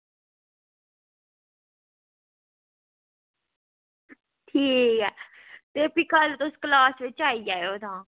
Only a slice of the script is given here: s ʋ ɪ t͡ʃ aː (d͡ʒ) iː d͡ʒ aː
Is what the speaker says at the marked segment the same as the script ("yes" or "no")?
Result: no